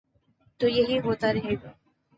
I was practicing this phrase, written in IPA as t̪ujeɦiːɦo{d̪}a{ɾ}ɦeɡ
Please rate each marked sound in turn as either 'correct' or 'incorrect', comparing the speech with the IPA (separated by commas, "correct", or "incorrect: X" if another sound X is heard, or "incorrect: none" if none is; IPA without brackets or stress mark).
incorrect: t̪, correct